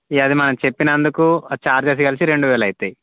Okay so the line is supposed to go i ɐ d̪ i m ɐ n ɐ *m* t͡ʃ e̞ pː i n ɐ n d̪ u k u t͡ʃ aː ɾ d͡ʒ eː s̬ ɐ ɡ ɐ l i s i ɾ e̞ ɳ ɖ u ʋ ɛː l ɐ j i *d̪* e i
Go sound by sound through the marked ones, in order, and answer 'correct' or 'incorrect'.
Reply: correct, incorrect: t̪

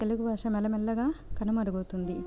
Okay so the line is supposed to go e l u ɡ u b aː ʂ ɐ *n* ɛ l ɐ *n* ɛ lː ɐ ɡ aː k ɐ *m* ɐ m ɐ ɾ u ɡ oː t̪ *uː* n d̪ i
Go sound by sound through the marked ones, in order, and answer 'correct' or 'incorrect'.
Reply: incorrect: m, incorrect: m, incorrect: n, incorrect: u

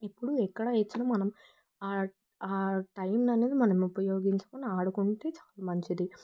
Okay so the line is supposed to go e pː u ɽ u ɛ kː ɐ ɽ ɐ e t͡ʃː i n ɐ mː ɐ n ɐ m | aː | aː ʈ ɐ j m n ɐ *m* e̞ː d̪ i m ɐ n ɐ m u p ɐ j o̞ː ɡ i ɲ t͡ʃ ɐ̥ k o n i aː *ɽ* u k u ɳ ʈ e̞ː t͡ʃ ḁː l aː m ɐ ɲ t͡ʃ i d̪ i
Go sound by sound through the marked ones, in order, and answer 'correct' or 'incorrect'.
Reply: incorrect: n, correct

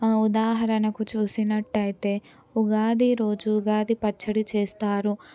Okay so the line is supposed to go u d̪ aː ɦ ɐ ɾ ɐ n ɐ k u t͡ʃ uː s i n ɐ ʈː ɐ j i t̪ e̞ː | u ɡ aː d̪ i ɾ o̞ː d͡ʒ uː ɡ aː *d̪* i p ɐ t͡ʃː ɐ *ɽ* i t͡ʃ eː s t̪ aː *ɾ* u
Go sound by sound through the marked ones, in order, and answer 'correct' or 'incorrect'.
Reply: correct, correct, correct

